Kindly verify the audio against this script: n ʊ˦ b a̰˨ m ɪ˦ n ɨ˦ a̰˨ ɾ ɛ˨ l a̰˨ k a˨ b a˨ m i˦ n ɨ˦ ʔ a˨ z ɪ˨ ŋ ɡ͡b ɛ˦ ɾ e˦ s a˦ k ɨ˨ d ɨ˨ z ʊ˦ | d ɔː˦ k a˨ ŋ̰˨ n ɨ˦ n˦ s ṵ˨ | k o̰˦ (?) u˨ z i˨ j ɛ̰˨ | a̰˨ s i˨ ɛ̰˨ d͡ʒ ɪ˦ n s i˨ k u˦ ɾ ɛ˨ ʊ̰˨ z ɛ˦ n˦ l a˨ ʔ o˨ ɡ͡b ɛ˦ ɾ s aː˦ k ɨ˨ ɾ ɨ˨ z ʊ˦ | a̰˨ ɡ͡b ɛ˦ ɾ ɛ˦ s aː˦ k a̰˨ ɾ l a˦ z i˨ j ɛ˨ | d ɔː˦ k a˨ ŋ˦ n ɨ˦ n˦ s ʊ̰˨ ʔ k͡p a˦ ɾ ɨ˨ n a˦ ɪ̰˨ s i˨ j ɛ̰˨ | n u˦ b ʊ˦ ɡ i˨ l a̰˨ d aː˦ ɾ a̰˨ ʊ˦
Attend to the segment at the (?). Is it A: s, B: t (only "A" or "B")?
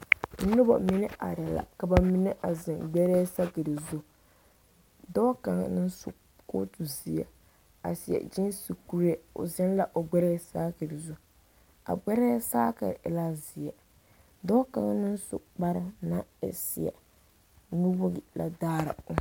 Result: B